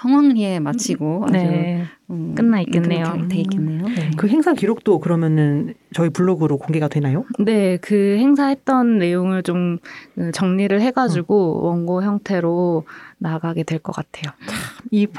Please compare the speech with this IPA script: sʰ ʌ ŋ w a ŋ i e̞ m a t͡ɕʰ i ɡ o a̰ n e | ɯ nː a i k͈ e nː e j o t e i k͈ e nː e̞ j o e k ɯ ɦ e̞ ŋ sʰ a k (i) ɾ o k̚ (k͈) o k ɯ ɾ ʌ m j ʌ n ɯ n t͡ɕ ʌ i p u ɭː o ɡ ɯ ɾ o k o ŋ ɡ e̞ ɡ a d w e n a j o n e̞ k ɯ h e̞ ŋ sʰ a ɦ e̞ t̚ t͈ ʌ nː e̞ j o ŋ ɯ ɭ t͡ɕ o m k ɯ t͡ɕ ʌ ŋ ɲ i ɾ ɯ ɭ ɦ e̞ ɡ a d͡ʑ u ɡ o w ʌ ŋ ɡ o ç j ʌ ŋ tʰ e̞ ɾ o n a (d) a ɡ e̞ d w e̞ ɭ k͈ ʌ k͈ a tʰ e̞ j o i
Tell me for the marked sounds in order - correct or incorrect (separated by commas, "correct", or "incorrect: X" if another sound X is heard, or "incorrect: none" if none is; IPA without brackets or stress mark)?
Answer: correct, incorrect: t͈, incorrect: ɡ